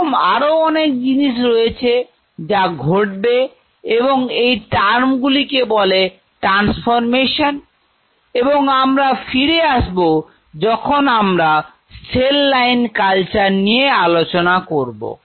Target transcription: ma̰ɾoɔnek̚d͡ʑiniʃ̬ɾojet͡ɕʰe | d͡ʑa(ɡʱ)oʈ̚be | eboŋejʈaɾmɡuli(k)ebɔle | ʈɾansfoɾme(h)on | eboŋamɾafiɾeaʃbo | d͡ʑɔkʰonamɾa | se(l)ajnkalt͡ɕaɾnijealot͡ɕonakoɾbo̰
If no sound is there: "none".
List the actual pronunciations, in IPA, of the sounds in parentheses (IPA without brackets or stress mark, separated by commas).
ɡʱ, k, ʃ, lː